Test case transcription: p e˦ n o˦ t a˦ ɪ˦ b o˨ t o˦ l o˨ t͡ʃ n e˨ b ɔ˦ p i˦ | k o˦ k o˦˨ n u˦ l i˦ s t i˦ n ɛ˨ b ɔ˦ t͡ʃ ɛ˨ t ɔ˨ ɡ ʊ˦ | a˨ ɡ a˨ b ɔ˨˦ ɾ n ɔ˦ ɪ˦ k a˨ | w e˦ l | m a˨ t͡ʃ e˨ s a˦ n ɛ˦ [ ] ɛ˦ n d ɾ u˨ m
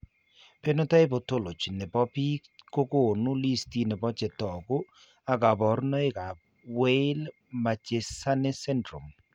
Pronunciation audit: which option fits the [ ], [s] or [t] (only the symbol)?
s